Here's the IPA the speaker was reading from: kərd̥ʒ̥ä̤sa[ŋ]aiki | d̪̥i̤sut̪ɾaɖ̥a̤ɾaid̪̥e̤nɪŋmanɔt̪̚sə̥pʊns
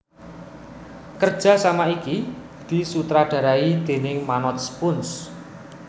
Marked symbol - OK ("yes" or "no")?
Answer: no